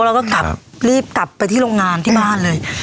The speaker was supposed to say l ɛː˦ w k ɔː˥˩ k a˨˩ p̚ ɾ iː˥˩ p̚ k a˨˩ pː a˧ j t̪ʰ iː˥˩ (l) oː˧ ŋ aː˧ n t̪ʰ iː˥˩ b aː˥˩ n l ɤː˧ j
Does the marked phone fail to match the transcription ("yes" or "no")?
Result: yes